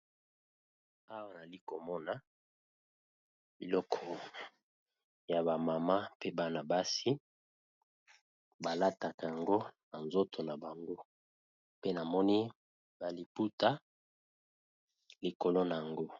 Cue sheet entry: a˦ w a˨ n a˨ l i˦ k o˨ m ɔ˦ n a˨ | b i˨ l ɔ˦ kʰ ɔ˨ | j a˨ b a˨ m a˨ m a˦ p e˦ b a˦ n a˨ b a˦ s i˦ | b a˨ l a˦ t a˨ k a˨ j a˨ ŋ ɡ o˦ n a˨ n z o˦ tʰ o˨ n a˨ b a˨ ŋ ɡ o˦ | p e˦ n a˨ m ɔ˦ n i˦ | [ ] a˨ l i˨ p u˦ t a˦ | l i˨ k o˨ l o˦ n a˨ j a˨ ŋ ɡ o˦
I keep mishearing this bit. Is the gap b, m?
b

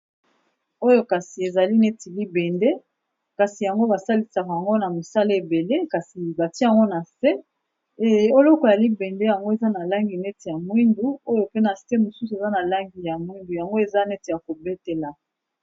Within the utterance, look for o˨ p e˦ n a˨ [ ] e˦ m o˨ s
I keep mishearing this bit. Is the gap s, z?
s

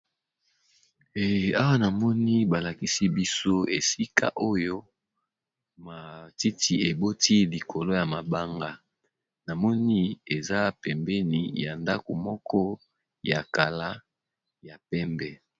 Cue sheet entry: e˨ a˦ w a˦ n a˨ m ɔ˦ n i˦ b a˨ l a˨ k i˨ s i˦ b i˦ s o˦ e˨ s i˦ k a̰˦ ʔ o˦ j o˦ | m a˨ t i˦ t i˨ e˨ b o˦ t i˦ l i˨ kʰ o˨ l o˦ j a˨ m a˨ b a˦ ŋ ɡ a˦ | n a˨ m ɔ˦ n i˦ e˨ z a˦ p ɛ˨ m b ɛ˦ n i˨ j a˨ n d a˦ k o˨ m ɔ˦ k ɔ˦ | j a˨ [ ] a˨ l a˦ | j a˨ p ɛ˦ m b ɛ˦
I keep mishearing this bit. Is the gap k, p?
k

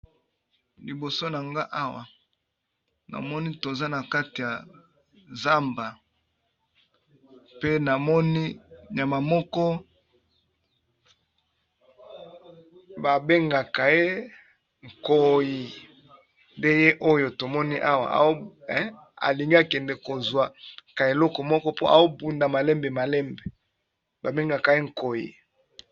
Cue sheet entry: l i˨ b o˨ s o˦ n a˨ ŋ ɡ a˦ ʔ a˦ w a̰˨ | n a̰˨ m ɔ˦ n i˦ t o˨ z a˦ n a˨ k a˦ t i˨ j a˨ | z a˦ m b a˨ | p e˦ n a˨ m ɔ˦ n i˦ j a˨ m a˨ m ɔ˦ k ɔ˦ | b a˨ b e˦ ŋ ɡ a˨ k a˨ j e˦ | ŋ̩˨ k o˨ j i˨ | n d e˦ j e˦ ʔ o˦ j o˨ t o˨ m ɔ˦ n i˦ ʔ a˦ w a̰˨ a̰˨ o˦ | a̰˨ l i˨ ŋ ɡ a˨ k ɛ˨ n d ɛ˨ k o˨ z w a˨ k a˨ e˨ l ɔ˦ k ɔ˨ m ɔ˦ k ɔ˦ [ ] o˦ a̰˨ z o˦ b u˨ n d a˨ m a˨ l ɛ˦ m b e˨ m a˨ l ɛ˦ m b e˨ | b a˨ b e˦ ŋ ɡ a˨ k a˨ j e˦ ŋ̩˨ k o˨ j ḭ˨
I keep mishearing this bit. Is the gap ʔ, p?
p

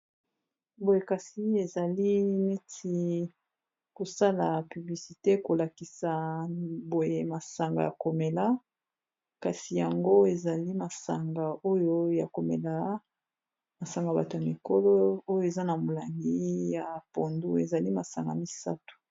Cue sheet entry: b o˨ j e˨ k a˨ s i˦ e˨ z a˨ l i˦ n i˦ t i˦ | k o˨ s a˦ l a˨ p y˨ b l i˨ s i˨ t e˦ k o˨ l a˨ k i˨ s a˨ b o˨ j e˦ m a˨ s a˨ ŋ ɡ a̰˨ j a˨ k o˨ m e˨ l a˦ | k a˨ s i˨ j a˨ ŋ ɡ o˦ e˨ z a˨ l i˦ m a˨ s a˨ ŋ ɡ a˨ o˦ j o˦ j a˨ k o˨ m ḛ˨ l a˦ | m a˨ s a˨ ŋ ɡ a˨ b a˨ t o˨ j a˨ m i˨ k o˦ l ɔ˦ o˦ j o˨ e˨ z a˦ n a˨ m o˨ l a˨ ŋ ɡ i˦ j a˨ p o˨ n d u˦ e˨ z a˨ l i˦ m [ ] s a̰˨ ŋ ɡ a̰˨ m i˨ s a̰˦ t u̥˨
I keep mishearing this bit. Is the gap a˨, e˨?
a˨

